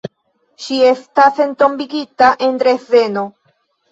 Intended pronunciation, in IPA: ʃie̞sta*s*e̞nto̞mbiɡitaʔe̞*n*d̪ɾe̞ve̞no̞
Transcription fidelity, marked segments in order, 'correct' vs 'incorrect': correct, correct

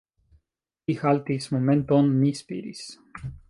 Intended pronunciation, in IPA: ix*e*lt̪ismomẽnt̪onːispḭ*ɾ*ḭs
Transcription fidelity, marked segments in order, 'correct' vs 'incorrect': incorrect: a, correct

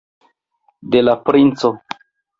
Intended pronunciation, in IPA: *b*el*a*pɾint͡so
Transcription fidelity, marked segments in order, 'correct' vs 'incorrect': incorrect: d, correct

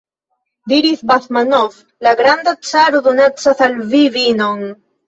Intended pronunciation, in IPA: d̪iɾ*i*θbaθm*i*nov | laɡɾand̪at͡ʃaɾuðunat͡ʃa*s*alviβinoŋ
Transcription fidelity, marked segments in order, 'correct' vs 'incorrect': correct, incorrect: a, incorrect: θ

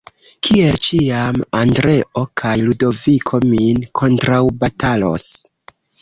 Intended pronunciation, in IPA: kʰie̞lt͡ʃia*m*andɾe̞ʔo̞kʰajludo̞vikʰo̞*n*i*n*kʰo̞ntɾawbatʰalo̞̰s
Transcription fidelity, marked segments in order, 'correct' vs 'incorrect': correct, incorrect: m, correct

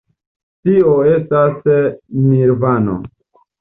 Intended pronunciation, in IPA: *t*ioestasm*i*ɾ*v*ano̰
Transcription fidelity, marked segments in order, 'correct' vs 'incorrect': correct, correct, correct

